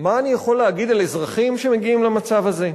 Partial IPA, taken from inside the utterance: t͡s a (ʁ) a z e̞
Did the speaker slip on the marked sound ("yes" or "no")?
yes